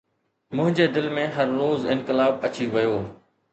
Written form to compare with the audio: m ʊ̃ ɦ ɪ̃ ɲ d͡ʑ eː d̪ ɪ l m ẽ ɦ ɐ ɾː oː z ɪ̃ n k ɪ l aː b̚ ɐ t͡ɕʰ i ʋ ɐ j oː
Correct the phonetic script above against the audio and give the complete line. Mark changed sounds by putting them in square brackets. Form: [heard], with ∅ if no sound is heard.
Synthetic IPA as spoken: m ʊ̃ ɦ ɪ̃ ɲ d͡ʑ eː d̪ ɪ l m ẽ ɦ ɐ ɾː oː z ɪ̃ n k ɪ l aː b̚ ɐ [t͡ɕ] i ʋ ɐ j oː